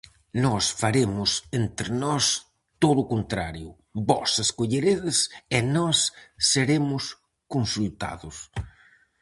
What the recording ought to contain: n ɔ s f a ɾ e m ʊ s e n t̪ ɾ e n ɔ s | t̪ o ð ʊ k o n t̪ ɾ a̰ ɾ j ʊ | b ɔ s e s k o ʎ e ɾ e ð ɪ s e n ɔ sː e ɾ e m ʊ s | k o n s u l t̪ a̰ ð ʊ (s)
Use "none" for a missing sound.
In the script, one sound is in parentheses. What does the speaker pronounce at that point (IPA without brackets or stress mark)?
s